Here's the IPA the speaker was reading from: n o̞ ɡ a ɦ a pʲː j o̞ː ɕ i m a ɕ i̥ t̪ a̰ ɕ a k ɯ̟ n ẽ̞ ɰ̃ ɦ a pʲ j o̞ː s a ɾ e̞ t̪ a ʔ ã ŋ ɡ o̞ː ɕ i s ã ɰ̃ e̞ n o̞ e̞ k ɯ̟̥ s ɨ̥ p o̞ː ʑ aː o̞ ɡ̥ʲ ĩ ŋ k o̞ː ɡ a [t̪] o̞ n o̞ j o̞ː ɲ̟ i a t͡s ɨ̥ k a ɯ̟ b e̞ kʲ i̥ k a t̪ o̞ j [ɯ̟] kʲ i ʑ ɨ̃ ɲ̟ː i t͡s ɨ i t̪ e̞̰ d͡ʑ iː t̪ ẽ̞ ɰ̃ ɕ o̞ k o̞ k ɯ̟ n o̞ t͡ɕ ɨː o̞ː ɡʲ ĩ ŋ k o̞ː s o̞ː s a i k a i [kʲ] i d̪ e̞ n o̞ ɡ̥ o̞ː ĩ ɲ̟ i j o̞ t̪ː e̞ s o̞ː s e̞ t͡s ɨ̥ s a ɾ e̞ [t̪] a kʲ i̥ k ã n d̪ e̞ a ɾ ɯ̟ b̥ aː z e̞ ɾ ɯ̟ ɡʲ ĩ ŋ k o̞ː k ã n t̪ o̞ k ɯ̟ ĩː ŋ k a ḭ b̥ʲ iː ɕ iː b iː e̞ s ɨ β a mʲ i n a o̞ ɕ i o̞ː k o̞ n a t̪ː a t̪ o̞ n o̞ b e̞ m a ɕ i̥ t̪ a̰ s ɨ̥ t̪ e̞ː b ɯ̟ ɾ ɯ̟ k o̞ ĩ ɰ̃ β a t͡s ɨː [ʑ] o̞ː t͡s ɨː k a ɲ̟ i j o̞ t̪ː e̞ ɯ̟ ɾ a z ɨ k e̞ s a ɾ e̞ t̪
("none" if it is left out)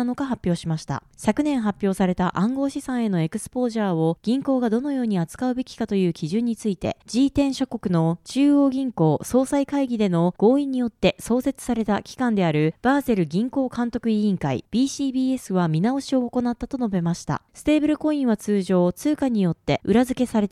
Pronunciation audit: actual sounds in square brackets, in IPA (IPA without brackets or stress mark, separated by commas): d̪, ɯ̟ː, ɡʲ, t̪, ʑ